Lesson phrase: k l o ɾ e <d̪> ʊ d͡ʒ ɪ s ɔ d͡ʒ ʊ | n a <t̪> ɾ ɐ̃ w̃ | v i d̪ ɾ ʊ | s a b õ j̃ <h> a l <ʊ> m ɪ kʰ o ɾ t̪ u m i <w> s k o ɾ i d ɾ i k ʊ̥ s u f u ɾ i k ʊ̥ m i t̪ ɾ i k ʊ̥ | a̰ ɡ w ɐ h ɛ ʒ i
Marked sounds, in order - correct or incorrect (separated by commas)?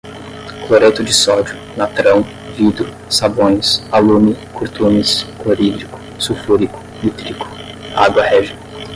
incorrect, correct, incorrect, incorrect, incorrect